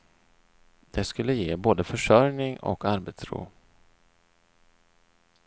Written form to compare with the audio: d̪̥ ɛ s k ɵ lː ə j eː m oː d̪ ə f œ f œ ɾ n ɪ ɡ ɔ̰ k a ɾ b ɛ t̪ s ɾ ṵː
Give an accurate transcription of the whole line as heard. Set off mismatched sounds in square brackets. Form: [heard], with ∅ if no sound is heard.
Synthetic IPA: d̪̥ ɛ s k ɵ lː ə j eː [b] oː d̪ ə f œ [ʂ] œ ɾ n ɪ [ŋ] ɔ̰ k a ɾ b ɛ t̪ s ɾ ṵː